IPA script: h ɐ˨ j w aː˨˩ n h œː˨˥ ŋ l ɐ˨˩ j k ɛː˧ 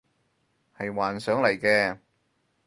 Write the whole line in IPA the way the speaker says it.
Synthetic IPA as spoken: h ɐ˨ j w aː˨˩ n s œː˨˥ ŋ l ɐ˨˩ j k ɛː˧